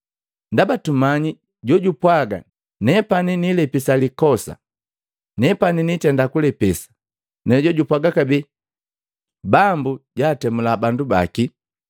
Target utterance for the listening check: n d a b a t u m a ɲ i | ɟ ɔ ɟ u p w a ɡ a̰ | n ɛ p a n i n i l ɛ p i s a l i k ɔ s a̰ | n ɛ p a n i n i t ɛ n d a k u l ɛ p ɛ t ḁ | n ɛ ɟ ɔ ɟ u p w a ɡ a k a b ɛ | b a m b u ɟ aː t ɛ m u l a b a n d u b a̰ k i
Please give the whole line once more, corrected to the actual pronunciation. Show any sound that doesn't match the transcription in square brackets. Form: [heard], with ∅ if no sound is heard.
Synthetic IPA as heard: n d a b a t u m a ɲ i | ɟ ɔ ɟ u p w a ɡ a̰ | n ɛ p a n i n i l ɛ p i s a l i k ɔ s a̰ | n ɛ p a n i n i t ɛ n d a k u l ɛ p ɛ [s] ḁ | n ɛ ɟ ɔ ɟ u p w a ɡ a k a b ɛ | b a m b u ɟ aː t ɛ m u l a b a n d u b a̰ k i